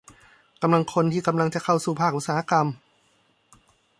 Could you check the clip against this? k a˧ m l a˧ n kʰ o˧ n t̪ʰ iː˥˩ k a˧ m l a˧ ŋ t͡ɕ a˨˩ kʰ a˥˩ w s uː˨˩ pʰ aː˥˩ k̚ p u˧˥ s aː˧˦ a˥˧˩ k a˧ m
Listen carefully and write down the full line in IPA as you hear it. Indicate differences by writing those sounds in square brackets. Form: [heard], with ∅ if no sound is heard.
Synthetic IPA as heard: k a˧ m l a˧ [ŋ] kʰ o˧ n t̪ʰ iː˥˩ k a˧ m l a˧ ŋ t͡ɕ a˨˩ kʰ a˥˩ w s uː˨˩ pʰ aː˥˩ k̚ [ʔ] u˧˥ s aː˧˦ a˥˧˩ k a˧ m